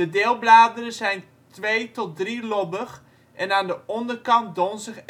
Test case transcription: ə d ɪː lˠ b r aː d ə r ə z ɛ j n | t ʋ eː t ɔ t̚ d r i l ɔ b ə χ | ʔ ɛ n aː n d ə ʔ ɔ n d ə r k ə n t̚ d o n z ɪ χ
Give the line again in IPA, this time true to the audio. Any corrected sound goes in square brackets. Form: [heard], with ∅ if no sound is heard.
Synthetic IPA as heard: ə d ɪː lˠ b [l] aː d ə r ə z ɛ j n | t ʋ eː t ɔ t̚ d r i l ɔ b ə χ | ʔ ɛ n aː n d ə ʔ ɔ n d ə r k [ɑ] n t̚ d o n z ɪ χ